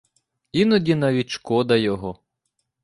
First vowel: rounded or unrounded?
unrounded